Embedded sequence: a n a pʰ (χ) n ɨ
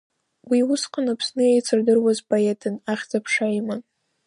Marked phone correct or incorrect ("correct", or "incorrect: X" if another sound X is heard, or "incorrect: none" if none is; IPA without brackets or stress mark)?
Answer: incorrect: s